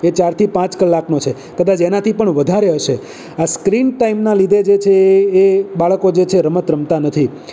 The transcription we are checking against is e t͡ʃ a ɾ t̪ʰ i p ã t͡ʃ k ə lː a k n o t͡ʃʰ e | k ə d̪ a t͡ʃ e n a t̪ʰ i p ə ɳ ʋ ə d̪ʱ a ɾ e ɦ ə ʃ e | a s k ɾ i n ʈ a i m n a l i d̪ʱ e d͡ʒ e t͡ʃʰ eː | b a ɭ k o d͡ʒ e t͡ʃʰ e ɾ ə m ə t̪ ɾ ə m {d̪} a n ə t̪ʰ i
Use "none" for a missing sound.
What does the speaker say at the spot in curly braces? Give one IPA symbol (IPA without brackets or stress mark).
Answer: t̪